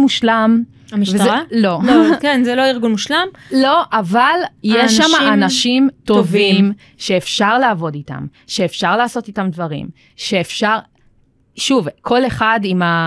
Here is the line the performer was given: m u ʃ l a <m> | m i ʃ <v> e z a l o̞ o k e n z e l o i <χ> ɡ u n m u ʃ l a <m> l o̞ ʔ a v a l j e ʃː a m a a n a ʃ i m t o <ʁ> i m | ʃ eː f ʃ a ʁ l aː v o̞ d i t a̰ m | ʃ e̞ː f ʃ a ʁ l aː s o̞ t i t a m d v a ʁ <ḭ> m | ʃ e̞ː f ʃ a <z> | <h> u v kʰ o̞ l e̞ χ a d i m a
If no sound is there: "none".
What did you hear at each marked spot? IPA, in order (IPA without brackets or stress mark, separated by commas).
m, v, ʁ, m, v, ḭ, ʁ, ʃ